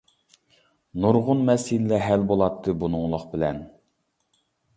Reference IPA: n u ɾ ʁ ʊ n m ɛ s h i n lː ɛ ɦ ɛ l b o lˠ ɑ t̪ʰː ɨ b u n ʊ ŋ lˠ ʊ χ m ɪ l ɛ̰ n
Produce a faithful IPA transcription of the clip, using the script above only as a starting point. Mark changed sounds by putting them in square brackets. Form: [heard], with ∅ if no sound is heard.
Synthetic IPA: n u ɾ ʁ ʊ n m ɛ s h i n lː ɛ ɦ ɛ l b o lˠ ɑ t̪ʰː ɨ b u n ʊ ŋ lˠ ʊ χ [b] ɪ l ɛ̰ n